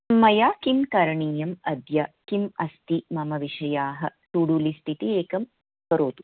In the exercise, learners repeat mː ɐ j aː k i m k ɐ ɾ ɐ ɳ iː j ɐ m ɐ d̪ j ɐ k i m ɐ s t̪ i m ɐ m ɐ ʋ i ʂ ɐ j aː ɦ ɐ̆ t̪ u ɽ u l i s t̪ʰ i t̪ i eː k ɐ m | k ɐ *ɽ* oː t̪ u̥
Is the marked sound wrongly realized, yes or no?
yes